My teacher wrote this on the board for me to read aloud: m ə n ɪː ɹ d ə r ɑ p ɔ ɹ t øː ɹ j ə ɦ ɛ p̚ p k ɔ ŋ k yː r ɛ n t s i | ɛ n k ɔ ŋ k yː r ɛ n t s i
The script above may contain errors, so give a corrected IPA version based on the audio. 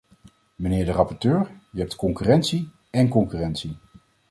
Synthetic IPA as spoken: m ə n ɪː ɹ d ə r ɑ p ɔ ɹ t øː ɹ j ə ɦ ɛ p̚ t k ɔ ŋ k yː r ɛ n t s i | ɛ n k ɔ ŋ k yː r ɛ n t s i